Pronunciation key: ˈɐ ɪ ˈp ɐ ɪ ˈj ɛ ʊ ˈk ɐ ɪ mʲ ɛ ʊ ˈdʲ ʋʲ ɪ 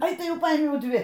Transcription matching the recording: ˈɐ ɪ ˈt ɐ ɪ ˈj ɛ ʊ ˈp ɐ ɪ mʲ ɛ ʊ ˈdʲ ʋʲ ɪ